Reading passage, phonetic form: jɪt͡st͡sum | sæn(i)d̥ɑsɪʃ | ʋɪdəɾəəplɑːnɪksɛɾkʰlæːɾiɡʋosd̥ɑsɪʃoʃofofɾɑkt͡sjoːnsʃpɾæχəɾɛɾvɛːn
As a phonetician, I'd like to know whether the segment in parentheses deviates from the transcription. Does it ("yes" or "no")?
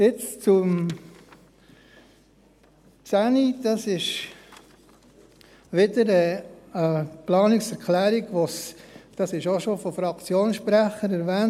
no